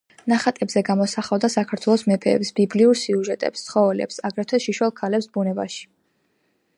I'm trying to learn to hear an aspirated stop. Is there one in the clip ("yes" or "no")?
yes